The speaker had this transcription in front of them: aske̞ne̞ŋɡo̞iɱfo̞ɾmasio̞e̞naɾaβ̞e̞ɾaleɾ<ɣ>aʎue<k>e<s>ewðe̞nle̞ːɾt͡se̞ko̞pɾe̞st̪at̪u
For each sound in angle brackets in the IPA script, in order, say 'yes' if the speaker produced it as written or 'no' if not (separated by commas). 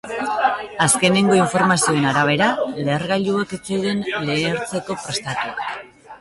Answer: yes, yes, no